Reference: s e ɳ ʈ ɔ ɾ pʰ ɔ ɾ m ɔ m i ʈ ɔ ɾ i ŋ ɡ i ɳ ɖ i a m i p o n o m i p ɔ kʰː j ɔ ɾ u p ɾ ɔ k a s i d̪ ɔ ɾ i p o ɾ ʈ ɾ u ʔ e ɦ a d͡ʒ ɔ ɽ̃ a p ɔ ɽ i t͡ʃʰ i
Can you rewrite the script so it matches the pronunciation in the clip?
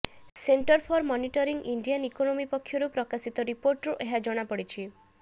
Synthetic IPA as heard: s e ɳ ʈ ɔ ɾ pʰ ɔ ɾ m ɔ n i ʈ ɔ ɾ i ŋ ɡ i ɳ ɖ i a n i k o n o m i p ɔ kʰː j ɔ ɾ u p ɾ ɔ k a s i t̪ ɔ ɾ i p o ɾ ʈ ɾ u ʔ e ɦ a d͡ʒ ɔ ɽ̃ a p ɔ ɽ i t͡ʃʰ i